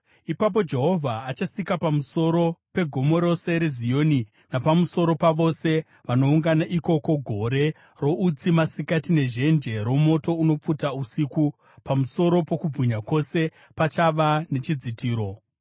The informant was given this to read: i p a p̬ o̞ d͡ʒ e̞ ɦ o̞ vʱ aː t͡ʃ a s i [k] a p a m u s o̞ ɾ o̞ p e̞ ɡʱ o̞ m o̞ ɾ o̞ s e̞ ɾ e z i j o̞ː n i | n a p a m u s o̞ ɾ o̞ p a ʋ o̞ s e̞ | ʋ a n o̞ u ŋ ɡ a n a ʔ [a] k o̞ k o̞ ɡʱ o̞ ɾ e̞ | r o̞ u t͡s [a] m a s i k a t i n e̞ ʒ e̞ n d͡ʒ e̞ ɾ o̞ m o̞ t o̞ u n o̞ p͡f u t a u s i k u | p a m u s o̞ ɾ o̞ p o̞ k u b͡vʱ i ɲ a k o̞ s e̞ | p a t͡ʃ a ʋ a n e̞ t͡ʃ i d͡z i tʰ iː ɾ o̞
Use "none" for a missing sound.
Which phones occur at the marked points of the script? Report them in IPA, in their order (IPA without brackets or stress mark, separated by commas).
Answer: k, i, i